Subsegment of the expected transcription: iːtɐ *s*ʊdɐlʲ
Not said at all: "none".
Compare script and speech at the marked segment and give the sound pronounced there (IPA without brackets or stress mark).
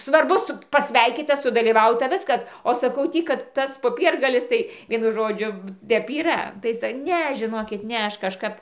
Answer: s